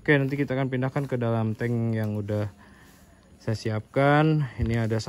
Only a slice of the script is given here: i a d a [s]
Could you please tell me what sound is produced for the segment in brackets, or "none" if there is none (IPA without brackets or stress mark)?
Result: s